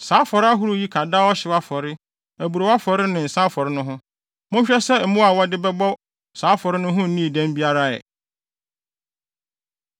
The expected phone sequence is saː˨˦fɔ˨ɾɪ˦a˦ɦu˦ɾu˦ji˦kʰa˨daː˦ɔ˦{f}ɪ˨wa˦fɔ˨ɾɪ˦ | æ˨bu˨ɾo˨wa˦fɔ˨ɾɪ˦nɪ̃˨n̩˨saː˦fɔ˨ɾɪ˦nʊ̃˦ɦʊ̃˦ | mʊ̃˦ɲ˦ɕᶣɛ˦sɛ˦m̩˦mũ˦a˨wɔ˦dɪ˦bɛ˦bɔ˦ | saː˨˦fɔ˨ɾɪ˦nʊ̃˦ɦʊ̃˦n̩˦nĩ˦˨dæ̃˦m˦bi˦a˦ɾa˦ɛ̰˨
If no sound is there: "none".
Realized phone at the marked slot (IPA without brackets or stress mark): ɕ